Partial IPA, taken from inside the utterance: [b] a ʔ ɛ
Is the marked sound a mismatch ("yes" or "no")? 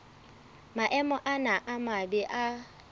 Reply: yes